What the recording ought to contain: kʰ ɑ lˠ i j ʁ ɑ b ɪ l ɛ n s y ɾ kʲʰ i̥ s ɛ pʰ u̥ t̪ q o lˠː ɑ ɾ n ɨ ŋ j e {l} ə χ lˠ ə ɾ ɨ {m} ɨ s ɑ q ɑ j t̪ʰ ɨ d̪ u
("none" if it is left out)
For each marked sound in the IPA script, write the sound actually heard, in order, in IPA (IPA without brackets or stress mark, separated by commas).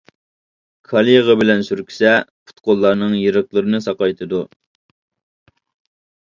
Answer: ɾ, n